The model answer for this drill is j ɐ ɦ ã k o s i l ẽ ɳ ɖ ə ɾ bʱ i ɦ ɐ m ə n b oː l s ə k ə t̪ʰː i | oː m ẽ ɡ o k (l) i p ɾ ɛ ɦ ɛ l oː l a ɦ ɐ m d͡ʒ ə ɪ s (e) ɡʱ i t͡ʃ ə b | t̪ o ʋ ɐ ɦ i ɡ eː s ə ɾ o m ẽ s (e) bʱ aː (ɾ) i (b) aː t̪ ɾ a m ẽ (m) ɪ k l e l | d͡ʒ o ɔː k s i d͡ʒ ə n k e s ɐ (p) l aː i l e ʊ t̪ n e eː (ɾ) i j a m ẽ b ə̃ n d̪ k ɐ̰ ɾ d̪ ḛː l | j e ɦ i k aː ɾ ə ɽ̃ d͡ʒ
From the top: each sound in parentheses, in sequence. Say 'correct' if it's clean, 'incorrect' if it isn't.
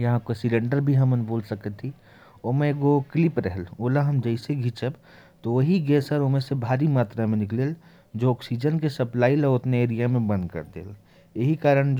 correct, correct, correct, correct, incorrect, incorrect, correct, correct

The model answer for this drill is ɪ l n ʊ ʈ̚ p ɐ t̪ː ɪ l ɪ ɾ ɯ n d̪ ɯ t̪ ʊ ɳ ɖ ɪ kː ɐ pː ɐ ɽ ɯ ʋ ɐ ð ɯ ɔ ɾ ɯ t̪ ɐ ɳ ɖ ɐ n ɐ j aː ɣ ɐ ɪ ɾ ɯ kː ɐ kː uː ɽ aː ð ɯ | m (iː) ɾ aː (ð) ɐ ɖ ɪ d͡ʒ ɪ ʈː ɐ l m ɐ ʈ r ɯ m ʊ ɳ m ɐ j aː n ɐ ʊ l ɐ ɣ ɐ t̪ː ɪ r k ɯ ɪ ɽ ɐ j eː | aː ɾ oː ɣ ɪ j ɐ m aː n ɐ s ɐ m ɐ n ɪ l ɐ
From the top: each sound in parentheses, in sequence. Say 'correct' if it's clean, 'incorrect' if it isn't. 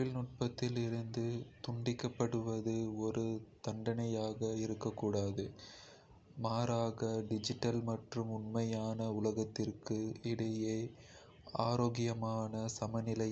incorrect, incorrect

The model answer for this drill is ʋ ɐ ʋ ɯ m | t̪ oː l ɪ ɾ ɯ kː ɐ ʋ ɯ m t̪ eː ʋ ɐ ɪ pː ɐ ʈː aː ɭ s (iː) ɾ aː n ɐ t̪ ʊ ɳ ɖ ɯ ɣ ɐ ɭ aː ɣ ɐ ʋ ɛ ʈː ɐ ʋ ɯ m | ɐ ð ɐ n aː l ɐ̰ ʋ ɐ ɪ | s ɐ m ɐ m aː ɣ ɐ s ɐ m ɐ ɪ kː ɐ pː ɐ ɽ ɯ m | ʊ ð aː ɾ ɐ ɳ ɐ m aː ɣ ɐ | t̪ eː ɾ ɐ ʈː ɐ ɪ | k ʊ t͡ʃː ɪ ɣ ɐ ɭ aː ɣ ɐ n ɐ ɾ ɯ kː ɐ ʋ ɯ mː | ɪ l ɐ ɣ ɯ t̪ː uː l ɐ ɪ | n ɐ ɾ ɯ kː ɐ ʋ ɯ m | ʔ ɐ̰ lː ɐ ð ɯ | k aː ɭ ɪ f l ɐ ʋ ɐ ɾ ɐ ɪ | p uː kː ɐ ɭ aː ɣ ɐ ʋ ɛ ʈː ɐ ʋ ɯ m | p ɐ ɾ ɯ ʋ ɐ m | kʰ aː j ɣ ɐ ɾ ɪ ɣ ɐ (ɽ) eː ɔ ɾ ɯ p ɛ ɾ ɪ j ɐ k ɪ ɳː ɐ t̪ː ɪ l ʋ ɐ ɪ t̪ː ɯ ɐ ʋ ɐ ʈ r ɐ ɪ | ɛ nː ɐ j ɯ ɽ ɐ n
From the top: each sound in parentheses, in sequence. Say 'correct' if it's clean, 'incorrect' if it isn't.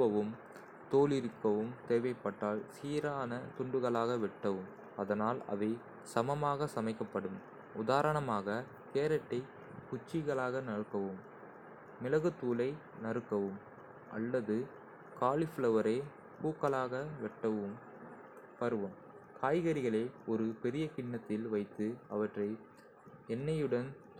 correct, incorrect

